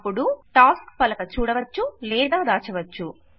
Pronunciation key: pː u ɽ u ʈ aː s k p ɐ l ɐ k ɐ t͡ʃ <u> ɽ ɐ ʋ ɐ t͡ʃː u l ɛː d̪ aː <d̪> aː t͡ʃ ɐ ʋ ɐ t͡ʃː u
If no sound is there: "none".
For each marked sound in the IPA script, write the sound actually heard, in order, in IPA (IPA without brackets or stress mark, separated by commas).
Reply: uː, d̪